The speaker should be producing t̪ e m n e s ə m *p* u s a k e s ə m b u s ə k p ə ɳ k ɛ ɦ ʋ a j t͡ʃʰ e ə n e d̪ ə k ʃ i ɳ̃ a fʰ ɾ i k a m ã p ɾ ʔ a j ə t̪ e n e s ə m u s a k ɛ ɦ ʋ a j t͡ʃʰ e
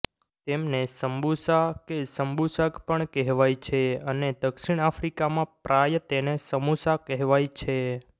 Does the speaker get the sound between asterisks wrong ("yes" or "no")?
yes